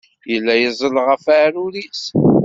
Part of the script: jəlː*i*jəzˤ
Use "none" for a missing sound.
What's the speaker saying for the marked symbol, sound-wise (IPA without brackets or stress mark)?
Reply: æ